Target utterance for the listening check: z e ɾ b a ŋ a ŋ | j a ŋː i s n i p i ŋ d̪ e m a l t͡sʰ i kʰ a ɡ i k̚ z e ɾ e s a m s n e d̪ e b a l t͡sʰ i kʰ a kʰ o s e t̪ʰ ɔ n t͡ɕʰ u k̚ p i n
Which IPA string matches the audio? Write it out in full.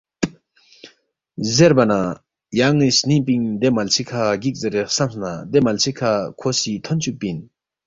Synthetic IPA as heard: z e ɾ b a n a | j a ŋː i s n i p i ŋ d̪ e m a l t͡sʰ i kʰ a ɡ i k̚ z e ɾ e s a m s n a d̪ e m a l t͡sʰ i kʰ a kʰ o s i t̪ʰ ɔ n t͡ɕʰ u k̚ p i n